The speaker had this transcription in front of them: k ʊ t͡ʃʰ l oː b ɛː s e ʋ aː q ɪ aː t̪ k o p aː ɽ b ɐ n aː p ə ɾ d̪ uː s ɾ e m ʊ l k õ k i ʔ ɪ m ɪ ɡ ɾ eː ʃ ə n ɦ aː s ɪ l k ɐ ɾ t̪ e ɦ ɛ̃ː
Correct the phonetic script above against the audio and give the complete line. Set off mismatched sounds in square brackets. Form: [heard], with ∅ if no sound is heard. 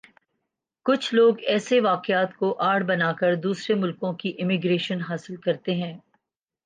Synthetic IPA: k ʊ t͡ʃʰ l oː [ɡ] ɛː s e ʋ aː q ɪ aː t̪ k o [ʔ] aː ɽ b ɐ n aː [k] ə ɾ d̪ uː s ɾ e m ʊ l k õ k i ʔ ɪ m ɪ ɡ ɾ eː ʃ ə n ɦ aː s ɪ l k ɐ ɾ t̪ e ɦ ɛ̃ː